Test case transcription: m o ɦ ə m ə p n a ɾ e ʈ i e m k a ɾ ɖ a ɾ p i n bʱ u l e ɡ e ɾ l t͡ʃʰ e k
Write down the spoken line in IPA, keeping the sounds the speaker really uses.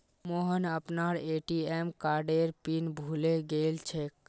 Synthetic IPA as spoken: m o ɦ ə n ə p n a ɾ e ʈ i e m k a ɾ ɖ e ɾ p i n bʱ u l e ɡ e l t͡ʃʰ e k

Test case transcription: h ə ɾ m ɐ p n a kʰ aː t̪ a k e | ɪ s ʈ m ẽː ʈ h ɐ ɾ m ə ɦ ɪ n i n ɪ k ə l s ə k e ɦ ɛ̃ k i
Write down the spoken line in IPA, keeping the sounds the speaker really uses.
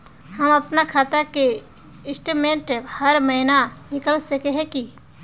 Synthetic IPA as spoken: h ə m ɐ p n a kʰ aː t̪ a k e | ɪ s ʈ m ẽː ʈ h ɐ ɾ m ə ɦ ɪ n a n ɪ k ə l s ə k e ɦ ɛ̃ k i

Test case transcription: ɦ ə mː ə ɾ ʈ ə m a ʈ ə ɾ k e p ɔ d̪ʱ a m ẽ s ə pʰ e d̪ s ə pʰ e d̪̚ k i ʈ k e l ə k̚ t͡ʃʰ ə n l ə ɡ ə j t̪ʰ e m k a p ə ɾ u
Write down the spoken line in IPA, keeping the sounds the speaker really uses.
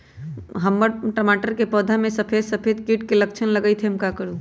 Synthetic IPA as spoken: ɦ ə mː ə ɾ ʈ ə m a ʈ ə ɾ k e p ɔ d̪ʱ a m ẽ s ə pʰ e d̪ s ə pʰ e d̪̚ k i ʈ k e l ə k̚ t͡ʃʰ ə n l ə ɡ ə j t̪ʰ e m k a k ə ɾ u

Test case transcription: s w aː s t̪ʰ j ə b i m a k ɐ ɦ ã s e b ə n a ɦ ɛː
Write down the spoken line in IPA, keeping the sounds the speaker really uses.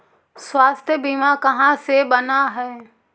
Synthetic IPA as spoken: s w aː s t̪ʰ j ə b i m a k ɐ ɦ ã s e b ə n a ɦ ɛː

